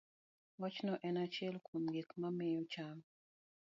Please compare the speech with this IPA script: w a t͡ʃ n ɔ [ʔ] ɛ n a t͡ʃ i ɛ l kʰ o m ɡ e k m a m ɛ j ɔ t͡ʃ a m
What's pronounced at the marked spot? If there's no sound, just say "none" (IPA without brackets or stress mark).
ʔ